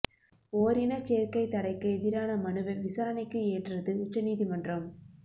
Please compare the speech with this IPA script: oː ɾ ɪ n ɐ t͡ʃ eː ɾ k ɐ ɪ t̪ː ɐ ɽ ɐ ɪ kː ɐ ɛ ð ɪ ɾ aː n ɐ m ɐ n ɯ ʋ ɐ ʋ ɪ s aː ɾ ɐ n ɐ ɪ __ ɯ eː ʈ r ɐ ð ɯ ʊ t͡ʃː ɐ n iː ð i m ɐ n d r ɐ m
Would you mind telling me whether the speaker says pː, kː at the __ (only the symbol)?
kː